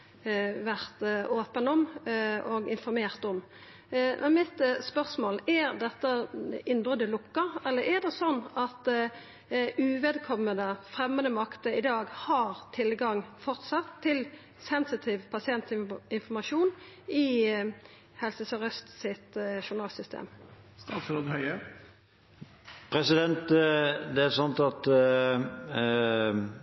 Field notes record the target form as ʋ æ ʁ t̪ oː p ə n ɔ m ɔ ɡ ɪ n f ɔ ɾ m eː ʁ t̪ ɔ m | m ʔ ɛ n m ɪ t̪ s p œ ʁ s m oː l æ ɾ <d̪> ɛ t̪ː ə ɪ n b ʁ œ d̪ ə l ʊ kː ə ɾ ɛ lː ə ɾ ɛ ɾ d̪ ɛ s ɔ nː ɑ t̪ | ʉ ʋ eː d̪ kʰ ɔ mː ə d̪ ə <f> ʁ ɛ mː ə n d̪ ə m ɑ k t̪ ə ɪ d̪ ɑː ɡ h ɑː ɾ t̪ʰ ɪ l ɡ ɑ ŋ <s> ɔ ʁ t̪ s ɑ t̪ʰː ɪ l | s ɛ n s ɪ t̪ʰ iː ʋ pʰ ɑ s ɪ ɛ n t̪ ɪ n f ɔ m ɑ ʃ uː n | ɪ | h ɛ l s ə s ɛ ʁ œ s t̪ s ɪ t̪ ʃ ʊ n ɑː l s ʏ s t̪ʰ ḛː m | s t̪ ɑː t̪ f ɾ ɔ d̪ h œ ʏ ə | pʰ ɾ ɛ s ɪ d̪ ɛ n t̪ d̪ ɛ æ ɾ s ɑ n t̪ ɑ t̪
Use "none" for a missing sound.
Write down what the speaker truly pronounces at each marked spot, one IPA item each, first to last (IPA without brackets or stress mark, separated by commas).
d̪, f, f